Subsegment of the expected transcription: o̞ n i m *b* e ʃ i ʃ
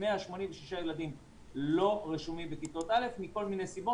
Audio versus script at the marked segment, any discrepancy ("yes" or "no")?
yes